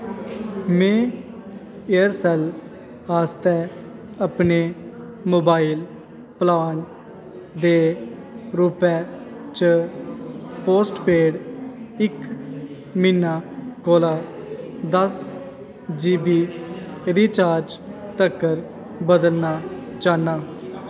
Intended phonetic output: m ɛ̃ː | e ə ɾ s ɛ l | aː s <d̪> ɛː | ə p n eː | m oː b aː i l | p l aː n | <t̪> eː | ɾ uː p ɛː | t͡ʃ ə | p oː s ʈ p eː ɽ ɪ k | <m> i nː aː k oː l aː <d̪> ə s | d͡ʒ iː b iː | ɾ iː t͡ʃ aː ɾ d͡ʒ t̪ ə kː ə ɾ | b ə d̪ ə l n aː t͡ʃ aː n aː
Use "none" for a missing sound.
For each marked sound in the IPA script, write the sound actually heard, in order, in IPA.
t̪, d̪, m, d̪

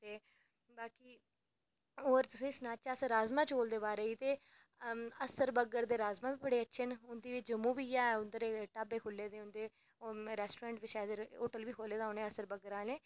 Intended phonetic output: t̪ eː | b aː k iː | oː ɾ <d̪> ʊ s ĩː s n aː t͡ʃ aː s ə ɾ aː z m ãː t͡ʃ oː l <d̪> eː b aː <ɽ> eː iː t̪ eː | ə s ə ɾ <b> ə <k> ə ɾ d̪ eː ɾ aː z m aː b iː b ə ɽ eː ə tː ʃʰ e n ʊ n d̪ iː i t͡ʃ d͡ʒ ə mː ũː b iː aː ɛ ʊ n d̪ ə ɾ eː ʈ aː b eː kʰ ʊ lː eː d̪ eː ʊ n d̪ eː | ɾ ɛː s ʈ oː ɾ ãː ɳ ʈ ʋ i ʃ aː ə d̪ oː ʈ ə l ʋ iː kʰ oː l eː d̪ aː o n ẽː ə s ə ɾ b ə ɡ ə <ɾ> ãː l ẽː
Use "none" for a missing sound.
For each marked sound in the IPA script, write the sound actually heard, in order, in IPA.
t̪, d̪, ɾ, b, ɡ, ɾ

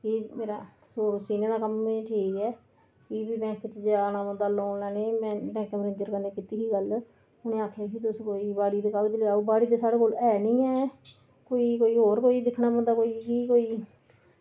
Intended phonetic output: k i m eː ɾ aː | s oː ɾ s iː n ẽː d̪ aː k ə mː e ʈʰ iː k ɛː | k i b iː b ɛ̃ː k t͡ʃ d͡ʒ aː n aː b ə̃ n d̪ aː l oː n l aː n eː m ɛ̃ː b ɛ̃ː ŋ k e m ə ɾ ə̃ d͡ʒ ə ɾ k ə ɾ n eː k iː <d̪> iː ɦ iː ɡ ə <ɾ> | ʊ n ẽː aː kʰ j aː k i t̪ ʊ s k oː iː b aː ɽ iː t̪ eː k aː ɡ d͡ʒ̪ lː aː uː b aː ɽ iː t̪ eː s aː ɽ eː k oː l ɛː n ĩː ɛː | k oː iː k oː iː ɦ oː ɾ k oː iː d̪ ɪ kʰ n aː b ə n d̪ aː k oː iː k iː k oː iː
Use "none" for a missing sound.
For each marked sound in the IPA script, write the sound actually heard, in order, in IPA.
t̪, l

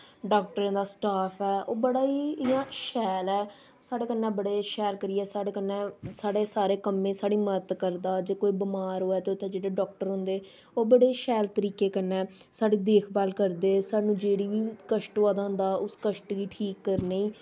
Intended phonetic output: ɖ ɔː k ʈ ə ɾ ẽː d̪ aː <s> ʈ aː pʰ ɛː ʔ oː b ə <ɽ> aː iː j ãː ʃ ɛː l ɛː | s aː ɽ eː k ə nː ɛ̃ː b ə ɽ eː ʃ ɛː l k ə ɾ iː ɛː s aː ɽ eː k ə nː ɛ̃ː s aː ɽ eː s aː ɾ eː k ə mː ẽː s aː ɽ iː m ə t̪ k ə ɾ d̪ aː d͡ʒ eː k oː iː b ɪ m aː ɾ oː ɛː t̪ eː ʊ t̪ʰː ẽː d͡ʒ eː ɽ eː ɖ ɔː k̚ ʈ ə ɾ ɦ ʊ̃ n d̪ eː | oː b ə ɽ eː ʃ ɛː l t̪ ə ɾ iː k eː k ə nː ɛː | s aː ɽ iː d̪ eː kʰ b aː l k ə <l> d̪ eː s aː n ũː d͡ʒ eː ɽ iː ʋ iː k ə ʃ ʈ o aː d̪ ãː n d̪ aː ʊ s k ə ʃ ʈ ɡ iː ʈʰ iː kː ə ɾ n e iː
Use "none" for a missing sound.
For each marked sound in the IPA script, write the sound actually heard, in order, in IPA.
s, ɽ, ɾ

